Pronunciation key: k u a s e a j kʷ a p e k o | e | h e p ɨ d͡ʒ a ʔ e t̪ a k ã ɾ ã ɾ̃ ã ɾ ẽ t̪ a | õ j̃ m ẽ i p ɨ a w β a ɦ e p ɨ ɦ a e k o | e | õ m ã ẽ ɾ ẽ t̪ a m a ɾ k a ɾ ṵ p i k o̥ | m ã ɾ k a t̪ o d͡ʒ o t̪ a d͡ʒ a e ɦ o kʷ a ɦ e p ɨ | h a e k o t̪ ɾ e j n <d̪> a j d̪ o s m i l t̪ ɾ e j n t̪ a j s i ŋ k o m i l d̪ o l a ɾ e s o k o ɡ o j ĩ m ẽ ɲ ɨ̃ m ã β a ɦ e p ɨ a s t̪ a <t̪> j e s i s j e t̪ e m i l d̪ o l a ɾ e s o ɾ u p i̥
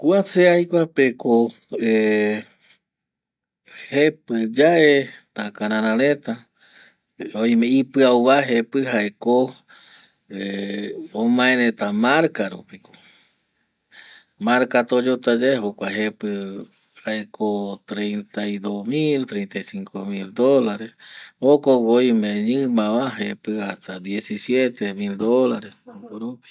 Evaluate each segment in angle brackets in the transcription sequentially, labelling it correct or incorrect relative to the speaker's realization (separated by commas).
incorrect, incorrect